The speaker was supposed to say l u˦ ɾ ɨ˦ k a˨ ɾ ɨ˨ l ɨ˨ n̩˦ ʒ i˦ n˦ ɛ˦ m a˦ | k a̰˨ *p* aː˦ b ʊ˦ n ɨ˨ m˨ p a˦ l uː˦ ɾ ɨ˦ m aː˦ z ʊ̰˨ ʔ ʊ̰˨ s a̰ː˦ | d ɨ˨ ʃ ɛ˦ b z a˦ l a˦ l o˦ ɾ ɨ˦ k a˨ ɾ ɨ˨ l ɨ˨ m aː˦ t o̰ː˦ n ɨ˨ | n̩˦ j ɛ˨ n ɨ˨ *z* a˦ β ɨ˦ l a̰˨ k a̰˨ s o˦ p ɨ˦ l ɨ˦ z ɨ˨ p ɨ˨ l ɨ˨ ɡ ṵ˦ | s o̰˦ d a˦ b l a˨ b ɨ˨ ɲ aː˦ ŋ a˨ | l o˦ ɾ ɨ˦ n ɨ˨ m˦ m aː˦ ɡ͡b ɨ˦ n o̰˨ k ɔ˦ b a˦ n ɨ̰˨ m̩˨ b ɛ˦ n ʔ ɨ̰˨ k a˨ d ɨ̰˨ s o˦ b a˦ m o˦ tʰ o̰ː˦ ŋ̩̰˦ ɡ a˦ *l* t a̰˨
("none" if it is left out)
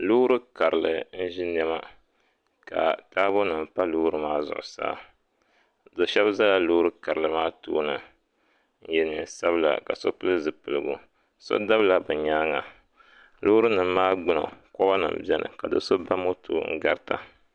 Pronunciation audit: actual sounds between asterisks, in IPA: t, s, ɾ

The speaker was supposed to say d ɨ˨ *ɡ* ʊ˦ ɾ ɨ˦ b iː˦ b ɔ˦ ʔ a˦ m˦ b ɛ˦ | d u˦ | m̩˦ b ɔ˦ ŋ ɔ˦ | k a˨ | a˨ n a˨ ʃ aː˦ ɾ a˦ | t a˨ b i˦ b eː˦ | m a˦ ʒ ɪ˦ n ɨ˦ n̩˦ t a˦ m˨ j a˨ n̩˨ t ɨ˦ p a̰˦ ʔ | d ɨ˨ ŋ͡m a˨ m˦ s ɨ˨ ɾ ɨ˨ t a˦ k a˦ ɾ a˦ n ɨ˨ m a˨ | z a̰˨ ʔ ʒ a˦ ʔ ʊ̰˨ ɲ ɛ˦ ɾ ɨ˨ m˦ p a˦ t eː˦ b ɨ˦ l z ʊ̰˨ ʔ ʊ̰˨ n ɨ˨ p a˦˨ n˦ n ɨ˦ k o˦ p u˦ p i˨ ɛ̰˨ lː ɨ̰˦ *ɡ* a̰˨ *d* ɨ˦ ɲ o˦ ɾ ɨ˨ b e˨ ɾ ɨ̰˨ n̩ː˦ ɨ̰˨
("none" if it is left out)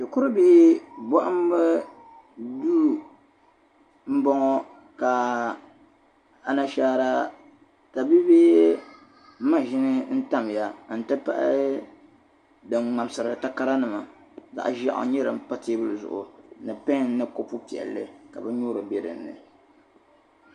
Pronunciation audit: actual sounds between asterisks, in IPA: k, k, b

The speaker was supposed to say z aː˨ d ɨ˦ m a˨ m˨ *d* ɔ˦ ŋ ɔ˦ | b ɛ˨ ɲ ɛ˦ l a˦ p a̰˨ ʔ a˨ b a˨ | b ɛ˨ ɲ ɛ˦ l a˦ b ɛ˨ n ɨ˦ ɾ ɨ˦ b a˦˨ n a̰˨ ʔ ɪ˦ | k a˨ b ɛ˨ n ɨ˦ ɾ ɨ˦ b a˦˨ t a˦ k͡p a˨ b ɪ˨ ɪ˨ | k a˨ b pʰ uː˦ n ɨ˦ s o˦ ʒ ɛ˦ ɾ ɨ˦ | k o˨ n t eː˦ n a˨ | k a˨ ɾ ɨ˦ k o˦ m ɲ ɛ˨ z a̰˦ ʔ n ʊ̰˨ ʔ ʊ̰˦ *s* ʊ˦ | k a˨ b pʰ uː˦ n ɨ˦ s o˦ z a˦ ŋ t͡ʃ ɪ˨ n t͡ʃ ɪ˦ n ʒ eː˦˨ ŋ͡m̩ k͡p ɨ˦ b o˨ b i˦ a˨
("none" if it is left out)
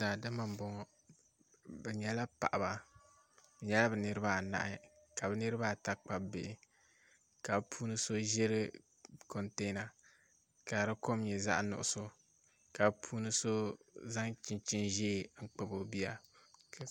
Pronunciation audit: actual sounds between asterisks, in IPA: b, s

